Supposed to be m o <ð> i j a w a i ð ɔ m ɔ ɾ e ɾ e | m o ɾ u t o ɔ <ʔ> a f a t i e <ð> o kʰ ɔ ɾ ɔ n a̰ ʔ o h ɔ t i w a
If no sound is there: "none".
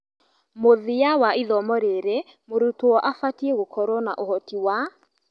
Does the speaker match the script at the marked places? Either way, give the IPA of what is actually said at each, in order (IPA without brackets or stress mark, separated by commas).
ð, ʔ, ɣ